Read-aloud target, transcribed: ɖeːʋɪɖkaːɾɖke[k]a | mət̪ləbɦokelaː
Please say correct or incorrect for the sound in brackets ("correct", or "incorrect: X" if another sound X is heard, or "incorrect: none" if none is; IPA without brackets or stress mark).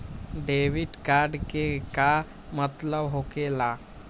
correct